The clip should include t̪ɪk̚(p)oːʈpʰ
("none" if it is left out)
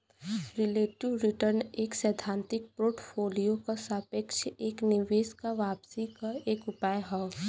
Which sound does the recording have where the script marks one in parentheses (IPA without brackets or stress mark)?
p